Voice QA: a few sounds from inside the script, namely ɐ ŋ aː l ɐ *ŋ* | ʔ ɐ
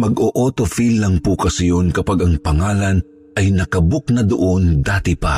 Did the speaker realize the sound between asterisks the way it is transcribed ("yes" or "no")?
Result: no